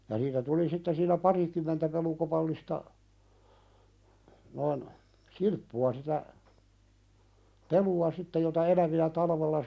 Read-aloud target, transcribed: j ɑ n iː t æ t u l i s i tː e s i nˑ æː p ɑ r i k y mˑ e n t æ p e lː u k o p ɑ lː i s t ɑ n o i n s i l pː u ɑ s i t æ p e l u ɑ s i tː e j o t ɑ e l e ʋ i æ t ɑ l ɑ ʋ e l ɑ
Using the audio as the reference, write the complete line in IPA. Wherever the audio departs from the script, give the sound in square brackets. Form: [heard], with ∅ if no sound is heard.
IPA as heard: j ɑ n iː t æ t u l i s i tː e s [iː] nˑ [æ] p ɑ r i k y mˑ e n t æ p e [l] u k o p ɑ lː i s t ɑ n o i n s i l pː u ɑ s i t æ p e l u ɑ s i tː e j o t ɑ e l [æ] ʋ i æ t ɑ l ɑ ʋ e [lː] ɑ